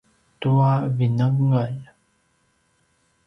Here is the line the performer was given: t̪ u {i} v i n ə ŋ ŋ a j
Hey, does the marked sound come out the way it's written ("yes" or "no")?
no